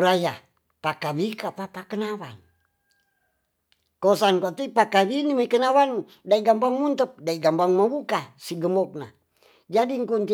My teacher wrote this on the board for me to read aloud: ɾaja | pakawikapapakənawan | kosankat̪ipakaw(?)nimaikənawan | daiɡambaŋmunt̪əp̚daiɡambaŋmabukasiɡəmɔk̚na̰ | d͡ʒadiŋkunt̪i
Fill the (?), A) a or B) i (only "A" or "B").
B